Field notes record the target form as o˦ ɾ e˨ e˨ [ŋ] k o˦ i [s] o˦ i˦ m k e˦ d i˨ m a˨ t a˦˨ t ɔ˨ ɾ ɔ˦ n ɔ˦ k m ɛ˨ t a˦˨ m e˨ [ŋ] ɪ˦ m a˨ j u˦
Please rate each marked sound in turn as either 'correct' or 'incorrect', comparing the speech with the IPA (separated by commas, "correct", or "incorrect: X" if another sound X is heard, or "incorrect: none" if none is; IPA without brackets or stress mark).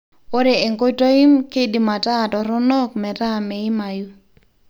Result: correct, incorrect: t, incorrect: none